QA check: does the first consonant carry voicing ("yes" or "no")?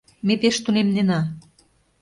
yes